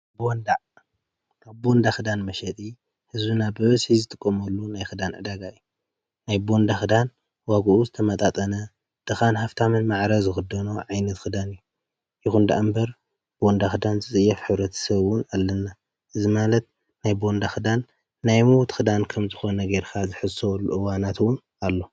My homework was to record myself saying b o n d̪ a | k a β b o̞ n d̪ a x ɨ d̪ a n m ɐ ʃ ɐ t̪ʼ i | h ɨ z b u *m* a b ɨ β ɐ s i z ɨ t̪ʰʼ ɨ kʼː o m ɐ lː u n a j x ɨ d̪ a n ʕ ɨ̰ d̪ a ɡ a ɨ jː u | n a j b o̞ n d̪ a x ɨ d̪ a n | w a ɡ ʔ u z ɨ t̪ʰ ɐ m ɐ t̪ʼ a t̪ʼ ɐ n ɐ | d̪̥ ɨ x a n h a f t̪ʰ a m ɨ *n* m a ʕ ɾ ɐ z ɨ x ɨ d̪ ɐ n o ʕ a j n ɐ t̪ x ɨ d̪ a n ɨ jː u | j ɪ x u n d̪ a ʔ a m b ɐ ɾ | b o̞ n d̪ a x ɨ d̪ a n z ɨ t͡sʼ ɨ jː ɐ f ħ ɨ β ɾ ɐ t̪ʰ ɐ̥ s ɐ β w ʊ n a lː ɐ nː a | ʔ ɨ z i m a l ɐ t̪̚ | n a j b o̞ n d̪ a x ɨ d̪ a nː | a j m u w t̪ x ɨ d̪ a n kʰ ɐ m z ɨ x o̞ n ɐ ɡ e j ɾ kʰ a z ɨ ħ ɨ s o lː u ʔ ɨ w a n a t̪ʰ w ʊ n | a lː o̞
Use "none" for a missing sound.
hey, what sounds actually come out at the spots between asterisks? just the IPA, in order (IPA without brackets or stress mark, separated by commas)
n, n